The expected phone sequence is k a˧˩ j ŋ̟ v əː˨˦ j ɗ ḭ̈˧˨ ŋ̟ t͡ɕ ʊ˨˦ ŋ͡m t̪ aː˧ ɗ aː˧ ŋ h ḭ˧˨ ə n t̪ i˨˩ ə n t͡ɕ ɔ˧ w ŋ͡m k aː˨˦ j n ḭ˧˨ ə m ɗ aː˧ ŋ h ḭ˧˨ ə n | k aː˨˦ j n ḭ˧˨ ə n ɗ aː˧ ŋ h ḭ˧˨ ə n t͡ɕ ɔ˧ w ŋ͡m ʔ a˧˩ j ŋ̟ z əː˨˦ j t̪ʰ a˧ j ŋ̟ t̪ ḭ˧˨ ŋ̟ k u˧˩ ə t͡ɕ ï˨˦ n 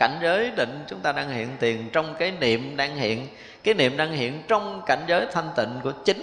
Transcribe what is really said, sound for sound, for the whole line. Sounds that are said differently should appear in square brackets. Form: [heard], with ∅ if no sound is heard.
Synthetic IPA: k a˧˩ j ŋ̟ [z] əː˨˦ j ɗ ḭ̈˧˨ ŋ̟ t͡ɕ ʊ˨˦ ŋ͡m t̪ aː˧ ɗ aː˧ ŋ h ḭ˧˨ ə n t̪ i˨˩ ə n t͡ɕ ɔ˧ w ŋ͡m k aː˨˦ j n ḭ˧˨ ə m ɗ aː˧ ŋ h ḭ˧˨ ə n | k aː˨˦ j n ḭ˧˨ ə [m] ɗ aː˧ ŋ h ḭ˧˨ ə n t͡ɕ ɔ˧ w ŋ͡m [k] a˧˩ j ŋ̟ z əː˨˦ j t̪ʰ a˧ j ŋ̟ t̪ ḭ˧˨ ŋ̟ k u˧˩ ə t͡ɕ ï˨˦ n